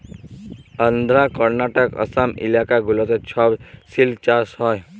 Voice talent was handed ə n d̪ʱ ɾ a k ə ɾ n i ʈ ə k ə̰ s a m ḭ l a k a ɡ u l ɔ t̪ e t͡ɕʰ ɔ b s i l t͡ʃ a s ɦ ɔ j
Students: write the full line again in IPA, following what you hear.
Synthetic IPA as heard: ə n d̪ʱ ɾ a k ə ɾ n a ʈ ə k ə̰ s a m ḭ l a k a ɡ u l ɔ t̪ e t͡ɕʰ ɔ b s i l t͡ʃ a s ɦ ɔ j